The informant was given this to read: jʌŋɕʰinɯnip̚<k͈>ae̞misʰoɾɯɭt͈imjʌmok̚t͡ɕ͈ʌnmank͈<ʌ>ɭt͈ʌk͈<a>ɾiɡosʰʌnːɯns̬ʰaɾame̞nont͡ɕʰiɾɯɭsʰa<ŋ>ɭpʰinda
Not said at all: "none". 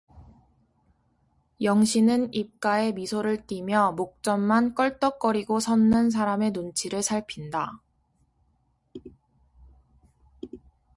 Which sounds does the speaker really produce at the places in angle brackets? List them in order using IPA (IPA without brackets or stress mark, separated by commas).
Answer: k͈, ʌ, ʌ, none